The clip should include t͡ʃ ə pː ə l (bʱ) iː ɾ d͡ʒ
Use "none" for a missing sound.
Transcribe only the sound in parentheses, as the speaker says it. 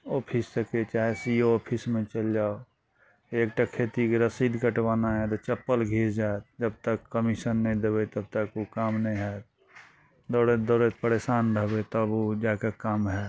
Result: ɡʱ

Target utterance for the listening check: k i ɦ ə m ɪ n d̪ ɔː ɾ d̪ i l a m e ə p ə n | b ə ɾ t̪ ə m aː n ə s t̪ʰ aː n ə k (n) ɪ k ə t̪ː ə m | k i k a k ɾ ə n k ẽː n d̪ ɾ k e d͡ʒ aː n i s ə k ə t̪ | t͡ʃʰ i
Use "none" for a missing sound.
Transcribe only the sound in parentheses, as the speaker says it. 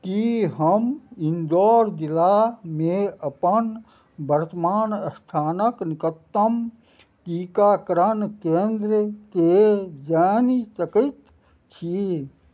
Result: n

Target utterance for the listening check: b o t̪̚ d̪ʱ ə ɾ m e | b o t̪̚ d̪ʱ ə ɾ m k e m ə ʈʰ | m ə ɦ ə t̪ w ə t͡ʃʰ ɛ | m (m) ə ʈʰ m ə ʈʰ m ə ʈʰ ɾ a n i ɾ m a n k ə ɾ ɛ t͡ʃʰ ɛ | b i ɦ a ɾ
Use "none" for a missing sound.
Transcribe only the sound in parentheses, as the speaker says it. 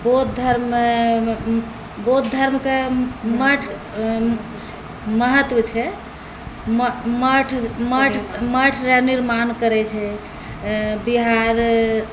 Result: m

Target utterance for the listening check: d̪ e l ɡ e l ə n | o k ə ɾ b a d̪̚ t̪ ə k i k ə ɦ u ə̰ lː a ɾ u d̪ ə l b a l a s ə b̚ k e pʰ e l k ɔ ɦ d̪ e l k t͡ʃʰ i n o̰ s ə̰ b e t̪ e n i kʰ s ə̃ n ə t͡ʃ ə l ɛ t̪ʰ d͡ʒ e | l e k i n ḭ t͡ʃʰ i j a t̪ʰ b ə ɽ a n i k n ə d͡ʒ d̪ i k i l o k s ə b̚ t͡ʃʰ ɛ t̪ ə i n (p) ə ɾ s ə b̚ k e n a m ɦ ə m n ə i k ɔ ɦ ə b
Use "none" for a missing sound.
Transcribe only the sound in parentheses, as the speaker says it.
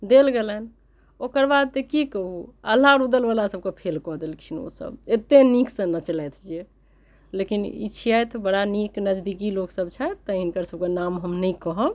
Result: k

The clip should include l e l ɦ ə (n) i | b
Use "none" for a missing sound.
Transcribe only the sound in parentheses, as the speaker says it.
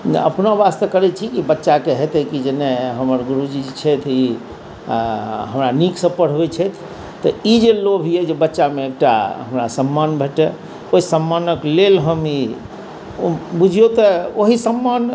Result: m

